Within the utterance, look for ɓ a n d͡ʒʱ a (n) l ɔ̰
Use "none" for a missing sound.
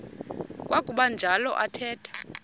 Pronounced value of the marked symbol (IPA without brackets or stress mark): none